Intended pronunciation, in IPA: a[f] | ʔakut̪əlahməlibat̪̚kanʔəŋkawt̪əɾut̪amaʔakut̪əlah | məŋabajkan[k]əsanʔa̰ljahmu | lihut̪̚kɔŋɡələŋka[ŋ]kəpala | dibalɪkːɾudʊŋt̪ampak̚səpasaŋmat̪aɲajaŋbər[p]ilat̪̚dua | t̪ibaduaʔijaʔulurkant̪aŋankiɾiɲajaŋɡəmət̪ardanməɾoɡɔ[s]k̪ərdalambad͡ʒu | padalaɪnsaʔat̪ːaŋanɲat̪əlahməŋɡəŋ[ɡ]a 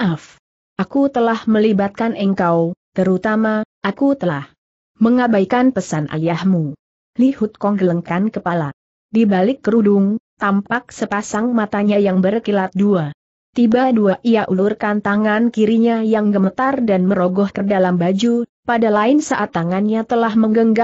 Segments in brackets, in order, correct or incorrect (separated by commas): correct, incorrect, incorrect, incorrect, incorrect, correct